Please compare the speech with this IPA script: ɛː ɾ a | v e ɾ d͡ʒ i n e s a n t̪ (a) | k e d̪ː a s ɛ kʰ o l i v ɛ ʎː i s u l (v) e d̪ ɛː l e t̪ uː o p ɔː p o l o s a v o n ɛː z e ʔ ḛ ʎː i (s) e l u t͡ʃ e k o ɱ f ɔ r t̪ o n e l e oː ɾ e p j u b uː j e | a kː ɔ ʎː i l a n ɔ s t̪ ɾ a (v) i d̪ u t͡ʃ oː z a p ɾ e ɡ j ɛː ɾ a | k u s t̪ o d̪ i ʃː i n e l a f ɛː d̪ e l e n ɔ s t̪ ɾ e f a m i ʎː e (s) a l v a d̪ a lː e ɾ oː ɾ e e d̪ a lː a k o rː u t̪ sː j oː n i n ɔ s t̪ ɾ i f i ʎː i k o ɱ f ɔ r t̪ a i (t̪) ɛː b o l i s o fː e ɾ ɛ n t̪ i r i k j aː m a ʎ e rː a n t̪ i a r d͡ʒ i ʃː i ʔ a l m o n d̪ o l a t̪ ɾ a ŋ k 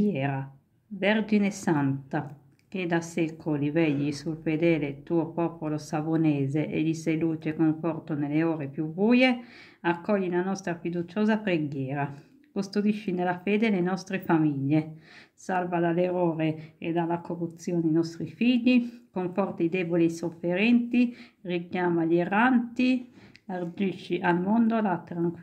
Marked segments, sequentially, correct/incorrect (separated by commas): correct, incorrect, correct, incorrect, correct, incorrect